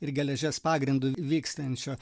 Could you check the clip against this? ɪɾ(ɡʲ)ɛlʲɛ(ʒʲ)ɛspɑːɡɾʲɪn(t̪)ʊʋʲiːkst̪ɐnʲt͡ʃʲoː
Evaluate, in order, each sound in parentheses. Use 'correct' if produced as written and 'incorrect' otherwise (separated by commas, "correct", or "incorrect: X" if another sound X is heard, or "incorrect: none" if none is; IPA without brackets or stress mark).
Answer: correct, correct, incorrect: d̪